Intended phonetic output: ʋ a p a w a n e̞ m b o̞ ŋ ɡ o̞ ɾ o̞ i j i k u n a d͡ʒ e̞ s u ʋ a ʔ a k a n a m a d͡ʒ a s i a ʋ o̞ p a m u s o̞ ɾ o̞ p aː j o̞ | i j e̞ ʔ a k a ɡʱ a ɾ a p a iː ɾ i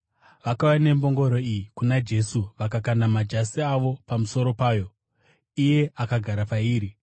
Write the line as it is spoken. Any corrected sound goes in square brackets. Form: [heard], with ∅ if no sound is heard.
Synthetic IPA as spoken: ʋ a [k] a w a n e̞ m b o̞ ŋ ɡ o̞ ɾ o̞ i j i k u n a d͡ʒ e̞ s u ʋ a [k] a k a n a m a d͡ʒ a s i a ʋ o̞ p a m u s o̞ ɾ o̞ p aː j o̞ | i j e̞ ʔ a k a ɡʱ a ɾ a p a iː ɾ i